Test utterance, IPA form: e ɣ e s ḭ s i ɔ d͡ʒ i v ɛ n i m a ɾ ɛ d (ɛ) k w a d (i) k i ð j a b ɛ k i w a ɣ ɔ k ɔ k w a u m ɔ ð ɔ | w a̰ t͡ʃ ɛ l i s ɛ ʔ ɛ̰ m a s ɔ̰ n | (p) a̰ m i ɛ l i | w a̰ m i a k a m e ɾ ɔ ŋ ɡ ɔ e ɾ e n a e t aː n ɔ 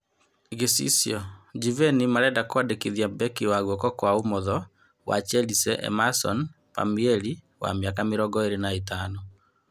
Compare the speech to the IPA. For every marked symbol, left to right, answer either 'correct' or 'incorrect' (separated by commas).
incorrect, incorrect, correct